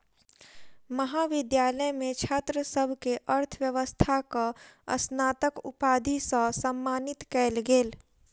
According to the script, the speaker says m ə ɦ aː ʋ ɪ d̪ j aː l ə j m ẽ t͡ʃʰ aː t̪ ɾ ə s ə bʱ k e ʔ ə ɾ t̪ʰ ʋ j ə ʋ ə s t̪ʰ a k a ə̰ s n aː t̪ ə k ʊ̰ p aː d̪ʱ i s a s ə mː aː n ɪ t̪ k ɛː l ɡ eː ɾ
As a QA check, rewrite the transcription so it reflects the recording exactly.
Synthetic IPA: m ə ɦ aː ʋ ɪ d̪ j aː l ə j m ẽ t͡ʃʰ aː t̪ ɾ ə s ə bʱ k e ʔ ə ɾ t̪ʰ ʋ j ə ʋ ə s t̪ʰ a k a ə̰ s n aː t̪ ə k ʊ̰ p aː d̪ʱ i s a s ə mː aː n ɪ t̪ k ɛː l ɡ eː l